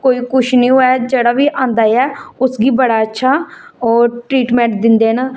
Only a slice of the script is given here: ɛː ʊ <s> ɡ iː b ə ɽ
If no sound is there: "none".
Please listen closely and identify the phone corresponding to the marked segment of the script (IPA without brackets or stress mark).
s